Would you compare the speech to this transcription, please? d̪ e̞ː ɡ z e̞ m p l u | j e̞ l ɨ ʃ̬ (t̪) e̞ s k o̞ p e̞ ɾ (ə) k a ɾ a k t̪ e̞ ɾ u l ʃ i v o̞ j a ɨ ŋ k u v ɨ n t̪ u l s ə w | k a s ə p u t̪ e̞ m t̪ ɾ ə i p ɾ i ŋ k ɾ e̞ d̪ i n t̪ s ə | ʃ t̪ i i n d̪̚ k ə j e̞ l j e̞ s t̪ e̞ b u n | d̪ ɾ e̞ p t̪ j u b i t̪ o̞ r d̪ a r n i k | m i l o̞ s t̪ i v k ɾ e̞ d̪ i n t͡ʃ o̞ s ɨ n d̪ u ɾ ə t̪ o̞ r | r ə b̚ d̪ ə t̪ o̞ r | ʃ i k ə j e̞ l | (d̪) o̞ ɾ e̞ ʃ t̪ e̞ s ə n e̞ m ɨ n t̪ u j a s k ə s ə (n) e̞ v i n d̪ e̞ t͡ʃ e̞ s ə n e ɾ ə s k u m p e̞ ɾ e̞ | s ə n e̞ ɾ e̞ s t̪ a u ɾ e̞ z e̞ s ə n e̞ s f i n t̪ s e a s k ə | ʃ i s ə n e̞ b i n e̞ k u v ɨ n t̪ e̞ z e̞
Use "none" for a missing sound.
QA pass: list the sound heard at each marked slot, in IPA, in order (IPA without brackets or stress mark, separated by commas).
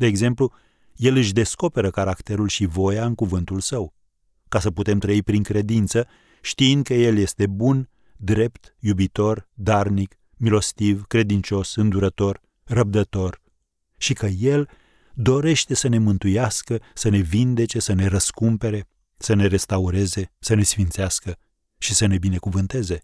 d̪, ə, d̪, n